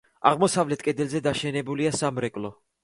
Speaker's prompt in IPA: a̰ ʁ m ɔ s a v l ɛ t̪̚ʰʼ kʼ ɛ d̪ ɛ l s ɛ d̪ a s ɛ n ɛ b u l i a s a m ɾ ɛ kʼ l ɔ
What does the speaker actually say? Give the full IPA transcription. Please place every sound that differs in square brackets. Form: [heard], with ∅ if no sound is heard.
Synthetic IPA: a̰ ʁ m ɔ s a v l ɛ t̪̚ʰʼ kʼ ɛ d̪ ɛ l [z] ɛ d̪ a [ʃ] ɛ n ɛ b u l i a s a m ɾ ɛ kʼ l ɔ